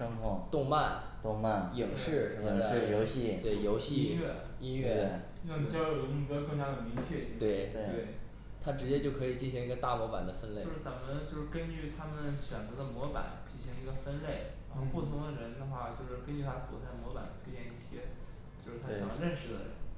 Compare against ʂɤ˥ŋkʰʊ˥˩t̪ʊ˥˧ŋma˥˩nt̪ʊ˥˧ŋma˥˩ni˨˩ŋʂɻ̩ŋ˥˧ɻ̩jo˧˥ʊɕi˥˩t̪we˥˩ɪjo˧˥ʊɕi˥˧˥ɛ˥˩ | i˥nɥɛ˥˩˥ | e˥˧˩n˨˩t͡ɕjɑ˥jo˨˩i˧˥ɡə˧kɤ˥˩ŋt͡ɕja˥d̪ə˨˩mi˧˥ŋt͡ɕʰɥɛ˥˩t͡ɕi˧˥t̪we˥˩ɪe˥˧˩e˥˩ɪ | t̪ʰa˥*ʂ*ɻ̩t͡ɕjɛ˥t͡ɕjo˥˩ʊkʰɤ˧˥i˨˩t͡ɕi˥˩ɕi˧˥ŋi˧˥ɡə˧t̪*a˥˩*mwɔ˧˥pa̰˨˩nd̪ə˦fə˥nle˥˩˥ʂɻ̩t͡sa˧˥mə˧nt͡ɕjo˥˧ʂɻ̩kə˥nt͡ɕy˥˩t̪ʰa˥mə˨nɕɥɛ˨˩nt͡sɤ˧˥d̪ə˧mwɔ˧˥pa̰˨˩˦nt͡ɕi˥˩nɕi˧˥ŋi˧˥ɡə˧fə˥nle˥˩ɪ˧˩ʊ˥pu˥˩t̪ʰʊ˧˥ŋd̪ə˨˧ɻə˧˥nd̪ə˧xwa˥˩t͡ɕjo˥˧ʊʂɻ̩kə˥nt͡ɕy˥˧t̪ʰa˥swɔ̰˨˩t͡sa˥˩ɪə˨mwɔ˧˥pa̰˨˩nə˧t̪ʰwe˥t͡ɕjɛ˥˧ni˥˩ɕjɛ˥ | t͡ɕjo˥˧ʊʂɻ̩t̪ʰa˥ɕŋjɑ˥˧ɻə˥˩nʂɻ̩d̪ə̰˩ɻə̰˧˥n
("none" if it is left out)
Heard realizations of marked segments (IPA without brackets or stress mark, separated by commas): ʈ͡ʂ, a˥˩